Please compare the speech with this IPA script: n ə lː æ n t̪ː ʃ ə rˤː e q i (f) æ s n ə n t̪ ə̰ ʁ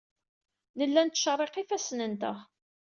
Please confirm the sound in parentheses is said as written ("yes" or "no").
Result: yes